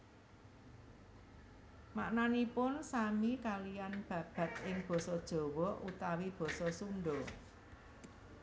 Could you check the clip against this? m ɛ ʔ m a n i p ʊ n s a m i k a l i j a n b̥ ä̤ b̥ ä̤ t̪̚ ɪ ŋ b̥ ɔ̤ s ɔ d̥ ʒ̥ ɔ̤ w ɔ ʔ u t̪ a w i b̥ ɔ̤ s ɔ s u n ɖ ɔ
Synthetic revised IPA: m a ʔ n a n i p ʊ n s a m i k a l i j a n b̥ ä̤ b̥ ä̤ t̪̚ ɪ ŋ b̥ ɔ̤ s ɔ d̥ ʒ̥ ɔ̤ w ɔ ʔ u t̪ a w i b̥ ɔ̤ s ɔ s u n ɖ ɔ